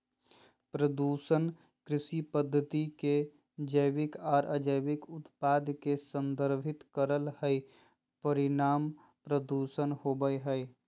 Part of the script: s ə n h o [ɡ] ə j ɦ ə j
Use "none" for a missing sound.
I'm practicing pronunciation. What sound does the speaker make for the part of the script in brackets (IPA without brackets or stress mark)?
b